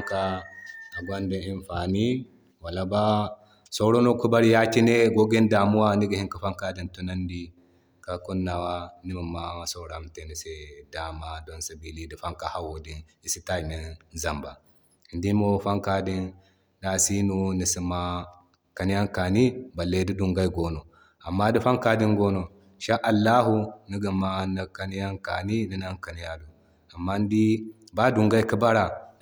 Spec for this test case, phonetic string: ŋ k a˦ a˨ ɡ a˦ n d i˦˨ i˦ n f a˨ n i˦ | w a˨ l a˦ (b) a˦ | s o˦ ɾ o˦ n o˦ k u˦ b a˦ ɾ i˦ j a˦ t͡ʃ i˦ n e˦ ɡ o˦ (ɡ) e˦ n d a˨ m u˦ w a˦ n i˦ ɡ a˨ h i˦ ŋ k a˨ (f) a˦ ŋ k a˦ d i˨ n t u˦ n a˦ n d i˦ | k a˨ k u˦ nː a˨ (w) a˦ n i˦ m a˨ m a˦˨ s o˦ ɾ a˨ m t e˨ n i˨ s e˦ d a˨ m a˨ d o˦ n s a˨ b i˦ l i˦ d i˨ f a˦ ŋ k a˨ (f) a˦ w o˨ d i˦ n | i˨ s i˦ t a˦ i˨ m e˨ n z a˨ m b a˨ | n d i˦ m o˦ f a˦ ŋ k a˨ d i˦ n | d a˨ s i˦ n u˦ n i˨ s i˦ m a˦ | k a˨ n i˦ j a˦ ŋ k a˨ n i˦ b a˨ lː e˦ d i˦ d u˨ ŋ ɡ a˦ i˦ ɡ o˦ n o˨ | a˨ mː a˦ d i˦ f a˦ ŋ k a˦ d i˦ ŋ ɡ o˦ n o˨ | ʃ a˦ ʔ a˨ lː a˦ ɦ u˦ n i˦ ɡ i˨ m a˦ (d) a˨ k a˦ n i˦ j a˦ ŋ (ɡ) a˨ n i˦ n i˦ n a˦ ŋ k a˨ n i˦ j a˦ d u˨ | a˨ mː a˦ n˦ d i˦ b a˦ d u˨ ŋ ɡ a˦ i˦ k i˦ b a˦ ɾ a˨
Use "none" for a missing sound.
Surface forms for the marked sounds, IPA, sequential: b, ɡ, f, w, h, n, k

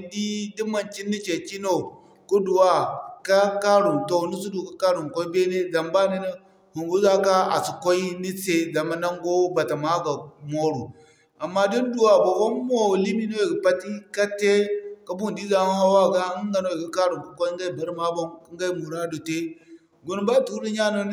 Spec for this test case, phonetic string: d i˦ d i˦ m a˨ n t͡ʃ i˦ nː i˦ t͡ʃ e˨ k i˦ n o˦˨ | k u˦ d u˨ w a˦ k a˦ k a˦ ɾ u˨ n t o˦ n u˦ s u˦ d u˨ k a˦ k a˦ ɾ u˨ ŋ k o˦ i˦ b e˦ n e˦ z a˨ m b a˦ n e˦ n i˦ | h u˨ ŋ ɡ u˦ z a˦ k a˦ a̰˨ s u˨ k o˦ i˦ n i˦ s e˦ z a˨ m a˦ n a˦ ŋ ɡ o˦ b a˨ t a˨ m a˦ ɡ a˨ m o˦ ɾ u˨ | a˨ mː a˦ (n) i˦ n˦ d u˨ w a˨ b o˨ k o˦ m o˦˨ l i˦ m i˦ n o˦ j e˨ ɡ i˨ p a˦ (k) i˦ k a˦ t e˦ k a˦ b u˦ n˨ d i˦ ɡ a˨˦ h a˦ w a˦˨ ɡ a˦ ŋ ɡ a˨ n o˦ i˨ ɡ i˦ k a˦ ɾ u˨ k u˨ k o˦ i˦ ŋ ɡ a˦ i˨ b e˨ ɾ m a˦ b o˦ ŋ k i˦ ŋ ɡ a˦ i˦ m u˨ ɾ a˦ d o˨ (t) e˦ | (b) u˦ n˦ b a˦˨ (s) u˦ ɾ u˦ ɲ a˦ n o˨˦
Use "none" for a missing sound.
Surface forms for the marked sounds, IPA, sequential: d, t, t, ɡ, t

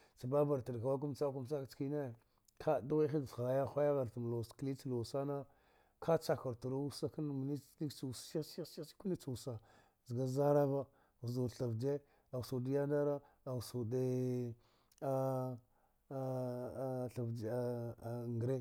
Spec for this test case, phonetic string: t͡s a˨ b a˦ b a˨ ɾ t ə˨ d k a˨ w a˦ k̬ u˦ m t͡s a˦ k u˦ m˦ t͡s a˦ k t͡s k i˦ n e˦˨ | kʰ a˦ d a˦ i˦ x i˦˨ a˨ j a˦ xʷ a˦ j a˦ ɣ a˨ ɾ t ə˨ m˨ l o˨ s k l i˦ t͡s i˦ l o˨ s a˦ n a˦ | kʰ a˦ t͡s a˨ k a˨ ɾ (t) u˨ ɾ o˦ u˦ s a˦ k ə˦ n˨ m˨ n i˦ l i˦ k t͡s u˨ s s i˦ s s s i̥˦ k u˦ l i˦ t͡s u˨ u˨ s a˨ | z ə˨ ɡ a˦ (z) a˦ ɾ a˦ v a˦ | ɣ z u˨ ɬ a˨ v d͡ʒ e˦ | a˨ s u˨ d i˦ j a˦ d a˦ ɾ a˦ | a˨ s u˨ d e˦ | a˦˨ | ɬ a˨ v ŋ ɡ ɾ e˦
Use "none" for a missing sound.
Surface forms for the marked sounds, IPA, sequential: t, z

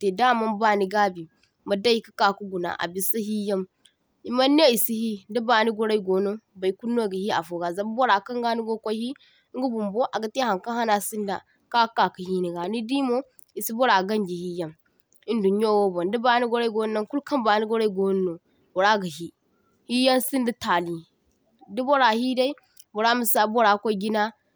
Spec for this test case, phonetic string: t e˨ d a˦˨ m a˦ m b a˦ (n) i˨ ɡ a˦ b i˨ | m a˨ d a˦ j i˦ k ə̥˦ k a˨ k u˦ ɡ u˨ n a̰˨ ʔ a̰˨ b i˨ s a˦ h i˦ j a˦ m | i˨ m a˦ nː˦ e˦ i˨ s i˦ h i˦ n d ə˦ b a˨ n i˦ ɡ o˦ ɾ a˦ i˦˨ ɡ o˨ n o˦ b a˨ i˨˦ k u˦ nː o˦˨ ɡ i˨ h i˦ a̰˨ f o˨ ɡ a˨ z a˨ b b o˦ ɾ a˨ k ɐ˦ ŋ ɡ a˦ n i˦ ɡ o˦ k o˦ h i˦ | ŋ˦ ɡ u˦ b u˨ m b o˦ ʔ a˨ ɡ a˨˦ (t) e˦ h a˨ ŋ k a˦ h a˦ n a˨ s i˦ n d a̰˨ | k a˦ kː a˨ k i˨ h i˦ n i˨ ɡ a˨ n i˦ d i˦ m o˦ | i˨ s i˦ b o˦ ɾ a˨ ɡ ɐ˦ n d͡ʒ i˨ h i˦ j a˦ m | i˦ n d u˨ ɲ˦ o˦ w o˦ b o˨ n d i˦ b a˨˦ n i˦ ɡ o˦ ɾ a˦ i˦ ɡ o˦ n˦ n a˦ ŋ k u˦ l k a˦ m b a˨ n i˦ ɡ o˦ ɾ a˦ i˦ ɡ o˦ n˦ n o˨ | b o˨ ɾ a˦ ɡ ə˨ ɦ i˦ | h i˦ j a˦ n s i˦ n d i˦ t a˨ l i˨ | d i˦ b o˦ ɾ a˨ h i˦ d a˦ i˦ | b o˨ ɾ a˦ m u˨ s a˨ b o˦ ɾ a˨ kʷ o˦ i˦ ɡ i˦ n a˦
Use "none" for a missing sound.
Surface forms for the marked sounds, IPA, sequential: n, t

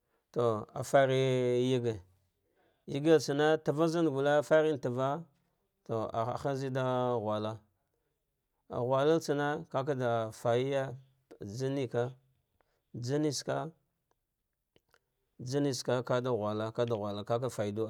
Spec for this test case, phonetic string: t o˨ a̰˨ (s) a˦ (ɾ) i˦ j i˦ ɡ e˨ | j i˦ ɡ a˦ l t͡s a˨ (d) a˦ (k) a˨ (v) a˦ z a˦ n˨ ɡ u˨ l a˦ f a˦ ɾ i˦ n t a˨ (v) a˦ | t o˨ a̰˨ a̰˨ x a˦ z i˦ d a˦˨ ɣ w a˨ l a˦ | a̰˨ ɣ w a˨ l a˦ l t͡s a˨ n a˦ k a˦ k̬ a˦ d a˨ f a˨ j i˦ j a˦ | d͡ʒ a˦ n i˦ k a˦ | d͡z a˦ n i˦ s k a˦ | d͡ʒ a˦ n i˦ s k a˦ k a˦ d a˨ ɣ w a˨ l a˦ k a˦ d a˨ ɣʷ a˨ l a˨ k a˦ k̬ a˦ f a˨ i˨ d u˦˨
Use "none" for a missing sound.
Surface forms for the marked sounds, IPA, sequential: f, ɾ, n, t, v, v

